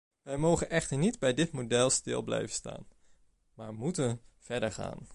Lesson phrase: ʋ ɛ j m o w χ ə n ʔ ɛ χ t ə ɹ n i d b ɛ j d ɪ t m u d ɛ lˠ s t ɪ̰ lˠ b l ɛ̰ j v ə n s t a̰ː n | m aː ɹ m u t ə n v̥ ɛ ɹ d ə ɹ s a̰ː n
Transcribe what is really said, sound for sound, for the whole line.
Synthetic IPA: ʋ ɛ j m o w χ ə n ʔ ɛ χ t ə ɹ n i d b ɛ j d ɪ t m o d ɛ lˠ s t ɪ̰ lˠ b l ɛ̰ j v ə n s t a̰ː n | m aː ɹ m u t ə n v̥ ɛ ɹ d ə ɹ χ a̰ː n